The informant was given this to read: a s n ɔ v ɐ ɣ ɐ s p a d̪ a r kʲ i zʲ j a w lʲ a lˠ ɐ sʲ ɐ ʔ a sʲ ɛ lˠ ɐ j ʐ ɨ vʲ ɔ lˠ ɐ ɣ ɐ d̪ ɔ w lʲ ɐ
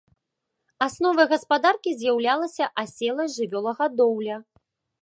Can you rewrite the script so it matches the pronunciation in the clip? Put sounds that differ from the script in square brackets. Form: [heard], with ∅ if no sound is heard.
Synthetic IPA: a s n ɔ v ɐ ɣ ɐ s p a d̪ a r kʲ i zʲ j a w lʲ a lˠ ɐ sʲ ɐ ʔ a sʲ ɛ lˠ ɐ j ʐ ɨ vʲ ɔ lˠ ɐ ɣ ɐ d̪ ɔ w lʲ ɐ